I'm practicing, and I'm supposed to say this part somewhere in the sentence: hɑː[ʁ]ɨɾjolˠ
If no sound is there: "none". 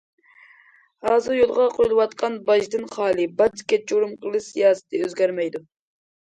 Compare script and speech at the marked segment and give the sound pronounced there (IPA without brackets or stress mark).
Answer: z